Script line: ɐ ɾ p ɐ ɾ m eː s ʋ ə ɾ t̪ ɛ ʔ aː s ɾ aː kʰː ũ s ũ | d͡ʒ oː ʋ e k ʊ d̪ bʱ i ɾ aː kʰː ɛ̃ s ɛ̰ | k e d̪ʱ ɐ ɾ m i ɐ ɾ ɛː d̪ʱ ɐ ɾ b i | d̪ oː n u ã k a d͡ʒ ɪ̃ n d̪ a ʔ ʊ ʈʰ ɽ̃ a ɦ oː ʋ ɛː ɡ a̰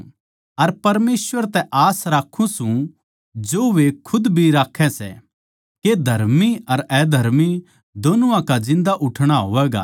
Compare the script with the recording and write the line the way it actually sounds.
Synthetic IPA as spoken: ɐ ɾ p ɐ ɾ m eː s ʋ ə ɾ t̪ ɛ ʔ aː s ɾ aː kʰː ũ s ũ | d͡ʒ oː ʋ e kʰ ʊ d̪ bʱ i ɾ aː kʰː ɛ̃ s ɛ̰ | k e d̪ʱ ɐ ɾ m i ɐ ɾ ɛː d̪ʱ ɐ ɾ m i | d̪ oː n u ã k a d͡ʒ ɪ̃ n d̪ a ʔ ʊ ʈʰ ɽ̃ a ɦ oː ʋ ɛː ɡ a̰

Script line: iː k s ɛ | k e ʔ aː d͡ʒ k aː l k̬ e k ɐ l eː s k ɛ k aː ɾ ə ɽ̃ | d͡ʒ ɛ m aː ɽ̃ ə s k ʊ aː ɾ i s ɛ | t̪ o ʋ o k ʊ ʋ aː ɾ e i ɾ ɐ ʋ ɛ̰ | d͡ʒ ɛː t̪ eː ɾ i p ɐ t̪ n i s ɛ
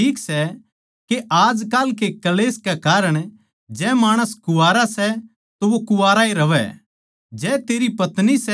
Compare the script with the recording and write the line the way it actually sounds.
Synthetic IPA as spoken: iː k s ɛ | k e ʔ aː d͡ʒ k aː l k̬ e k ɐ l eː s k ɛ k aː ɾ ə ɽ̃ | d͡ʒ ɛ m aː ɽ̃ ə s k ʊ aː ɾ a s ɛ | t̪ o ʋ o k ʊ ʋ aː ɾ a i ɾ ɐ ʋ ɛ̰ | d͡ʒ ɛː t̪ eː ɾ i p ɐ t̪ n i s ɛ

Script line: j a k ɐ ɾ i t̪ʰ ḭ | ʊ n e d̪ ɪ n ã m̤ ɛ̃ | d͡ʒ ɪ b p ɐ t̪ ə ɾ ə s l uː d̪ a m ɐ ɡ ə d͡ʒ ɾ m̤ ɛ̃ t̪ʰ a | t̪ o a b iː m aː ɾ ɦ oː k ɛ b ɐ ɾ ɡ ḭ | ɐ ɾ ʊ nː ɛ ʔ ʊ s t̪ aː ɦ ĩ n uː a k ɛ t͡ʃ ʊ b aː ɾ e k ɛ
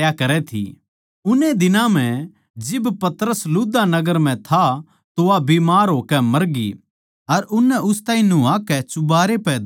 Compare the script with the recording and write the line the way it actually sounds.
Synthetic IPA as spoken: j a k ɐ ɾ ɛ t̪ʰ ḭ | ʊ n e d̪ ɪ n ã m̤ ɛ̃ | d͡ʒ ɪ b p ɐ t̪ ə ɾ ə s l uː d̪ a n ɐ ɡ ə ɾ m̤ ɛ̃ t̪ʰ a | t̪ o a b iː m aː ɾ ɦ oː k ɛ m ɐ ɾ ɡ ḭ | ɐ ɾ ʊ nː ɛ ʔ ʊ s t̪ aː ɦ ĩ n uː a k ɛ t͡ʃ ʊ b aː ɾ e p ɛ

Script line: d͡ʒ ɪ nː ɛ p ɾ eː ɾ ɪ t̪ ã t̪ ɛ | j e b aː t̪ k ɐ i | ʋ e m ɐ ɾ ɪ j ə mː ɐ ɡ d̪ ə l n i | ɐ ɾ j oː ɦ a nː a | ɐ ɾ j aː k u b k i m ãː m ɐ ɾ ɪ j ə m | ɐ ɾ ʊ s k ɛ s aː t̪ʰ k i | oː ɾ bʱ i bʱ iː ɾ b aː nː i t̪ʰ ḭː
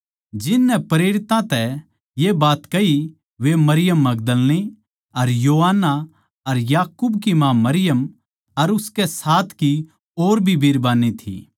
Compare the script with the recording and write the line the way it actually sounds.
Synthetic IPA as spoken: d͡ʒ ɪ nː ɛ p ɾ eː ɾ ɪ t̪ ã t̪ ɛ | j e b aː t̪ k ɐ i | ʋ e m ɐ ɾ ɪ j ə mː ɐ ɡ d̪ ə l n i | ɐ ɾ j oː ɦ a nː a | ɐ ɾ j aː k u b k i m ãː m ɐ ɾ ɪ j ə m | ɐ ɾ ʊ s k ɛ s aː t̪ʰ k i | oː ɾ bʱ i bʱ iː ɾ b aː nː i t̪ʰ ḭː

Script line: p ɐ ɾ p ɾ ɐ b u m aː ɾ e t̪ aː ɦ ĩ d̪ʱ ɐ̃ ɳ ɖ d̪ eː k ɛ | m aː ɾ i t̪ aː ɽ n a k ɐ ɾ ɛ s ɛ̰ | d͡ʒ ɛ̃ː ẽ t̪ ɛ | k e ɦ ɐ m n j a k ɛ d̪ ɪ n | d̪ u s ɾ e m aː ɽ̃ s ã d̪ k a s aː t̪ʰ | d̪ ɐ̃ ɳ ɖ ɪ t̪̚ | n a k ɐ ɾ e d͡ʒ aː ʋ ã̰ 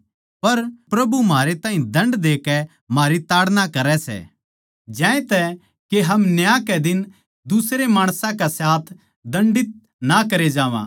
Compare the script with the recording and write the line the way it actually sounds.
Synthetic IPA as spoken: p ɐ ɾ p ɾ ɐ b u m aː ɾ e t̪ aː ɦ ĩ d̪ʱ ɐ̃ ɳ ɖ d̪ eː k ɛ | m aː ɾ i t̪ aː ɽ n a k ɐ ɾ ɛ s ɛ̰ | d͡ʒ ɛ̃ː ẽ t̪ ɛ | k e ɦ ɐ m n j a k ɛ d̪ ɪ n | d̪ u s ɾ e m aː ɽ̃ s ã k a s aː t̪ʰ | d̪ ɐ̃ ɳ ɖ ɪ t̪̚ | n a k ɐ ɾ e d͡ʒ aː ʋ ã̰

